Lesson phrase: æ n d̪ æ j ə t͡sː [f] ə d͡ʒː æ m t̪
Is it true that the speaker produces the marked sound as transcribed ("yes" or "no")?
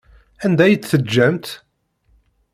no